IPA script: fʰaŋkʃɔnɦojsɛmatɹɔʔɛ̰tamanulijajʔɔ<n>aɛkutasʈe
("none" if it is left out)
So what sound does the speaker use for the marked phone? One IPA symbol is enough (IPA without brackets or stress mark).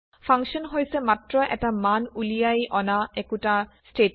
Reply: n